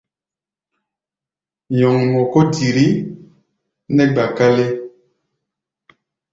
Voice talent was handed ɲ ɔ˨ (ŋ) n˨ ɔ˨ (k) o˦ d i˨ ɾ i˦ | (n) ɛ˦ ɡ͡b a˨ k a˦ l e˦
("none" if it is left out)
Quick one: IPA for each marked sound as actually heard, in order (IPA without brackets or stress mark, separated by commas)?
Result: ŋ, k, n